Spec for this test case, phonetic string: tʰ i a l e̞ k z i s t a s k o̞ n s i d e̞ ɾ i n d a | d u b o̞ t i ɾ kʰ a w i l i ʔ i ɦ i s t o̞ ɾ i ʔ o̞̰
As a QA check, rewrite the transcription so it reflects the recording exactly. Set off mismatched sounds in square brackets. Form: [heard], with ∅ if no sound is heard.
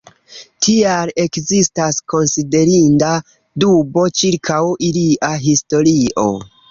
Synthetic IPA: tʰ i a l e̞ k z i s t a s k o̞ n s i d e̞ ɾ i n d a | d u b o̞ [t͡ʃ] i ɾ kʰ a w i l i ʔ [a] ɦ i s t o̞ ɾ i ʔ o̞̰

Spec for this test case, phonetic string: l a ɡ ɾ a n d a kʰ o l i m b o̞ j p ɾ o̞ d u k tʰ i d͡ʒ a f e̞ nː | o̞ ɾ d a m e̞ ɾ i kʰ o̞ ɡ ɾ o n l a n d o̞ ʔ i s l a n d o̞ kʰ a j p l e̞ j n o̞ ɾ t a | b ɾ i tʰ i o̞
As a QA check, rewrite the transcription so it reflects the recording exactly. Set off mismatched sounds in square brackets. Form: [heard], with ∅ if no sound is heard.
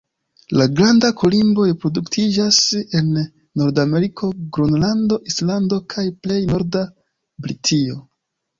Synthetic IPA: l a ɡ ɾ a n d a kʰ o l i m b o̞ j p ɾ o̞ d u k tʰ i d͡ʒ a [s] e̞ nː | o̞ ɾ d a m e̞ ɾ i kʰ o̞ ɡ ɾ o n l a n d o̞ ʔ i s l a n d o̞ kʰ a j p l e̞ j n o̞ ɾ [d] a | b ɾ i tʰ i o̞

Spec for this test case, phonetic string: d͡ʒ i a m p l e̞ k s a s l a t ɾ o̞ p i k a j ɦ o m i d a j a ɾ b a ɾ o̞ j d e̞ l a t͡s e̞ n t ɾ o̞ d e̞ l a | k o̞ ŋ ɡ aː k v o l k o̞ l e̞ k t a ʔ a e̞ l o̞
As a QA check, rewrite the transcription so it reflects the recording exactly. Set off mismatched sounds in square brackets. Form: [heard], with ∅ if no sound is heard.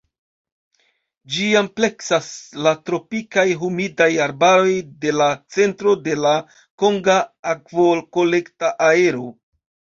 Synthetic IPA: d͡ʒ i a m p l e̞ k s a s l a t ɾ o̞ p i k a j ɦ [u] m i d a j a ɾ b a ɾ o̞ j d e̞ l a t͡s e̞ n t ɾ o̞ d e̞ l a | k o̞ ŋ ɡ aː k v o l k o̞ l e̞ k t a ʔ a e̞ [ɾ] o̞

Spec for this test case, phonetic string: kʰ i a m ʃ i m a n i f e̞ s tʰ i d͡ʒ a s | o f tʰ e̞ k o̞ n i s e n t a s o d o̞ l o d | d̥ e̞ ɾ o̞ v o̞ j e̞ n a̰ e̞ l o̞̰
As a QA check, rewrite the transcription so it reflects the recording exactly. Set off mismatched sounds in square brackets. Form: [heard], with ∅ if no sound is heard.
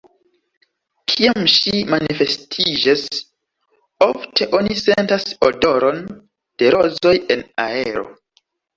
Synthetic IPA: kʰ i a m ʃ i m a n i f e̞ s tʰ i d͡ʒ a s | o f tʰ e̞ [ʔ] o̞ n i s e n t a s o d o̞ [ɾ] o [n] | d̥ e̞ ɾ o̞ [z] o̞ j e̞ n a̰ e̞ [ɾ] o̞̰

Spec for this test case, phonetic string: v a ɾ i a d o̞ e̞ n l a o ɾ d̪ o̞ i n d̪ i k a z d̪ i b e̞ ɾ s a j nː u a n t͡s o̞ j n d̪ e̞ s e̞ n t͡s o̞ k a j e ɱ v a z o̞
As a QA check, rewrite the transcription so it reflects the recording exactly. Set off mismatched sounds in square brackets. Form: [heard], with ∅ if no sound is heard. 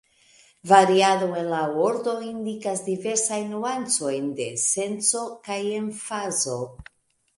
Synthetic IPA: v a ɾ i a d o̞ e̞ n l a o ɾ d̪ o̞ i n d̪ i k a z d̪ i [v] e̞ ɾ s a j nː u a n t͡s o̞ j n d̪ e̞ s e̞ n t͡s o̞ k a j e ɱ [f] a z o̞

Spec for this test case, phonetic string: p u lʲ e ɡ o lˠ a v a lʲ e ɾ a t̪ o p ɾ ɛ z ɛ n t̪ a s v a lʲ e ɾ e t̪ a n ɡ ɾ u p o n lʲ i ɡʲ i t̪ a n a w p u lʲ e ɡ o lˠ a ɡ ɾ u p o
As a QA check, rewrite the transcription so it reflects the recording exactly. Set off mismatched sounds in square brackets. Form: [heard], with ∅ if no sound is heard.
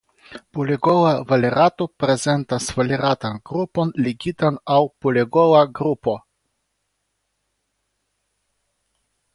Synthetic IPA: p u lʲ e ɡ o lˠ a v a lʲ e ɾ a t̪ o p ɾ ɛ z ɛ n t̪ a s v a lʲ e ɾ [a] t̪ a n ɡ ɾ u p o n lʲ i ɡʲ i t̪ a n a w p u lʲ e ɡ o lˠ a ɡ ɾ u p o

